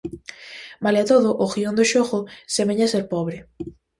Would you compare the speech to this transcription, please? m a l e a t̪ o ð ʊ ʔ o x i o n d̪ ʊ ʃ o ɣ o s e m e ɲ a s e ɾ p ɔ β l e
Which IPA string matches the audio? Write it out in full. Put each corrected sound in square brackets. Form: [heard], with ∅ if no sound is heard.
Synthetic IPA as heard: m a l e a t̪ o ð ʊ ʔ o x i o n d̪ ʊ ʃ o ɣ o s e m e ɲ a s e ɾ p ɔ β [ɾ] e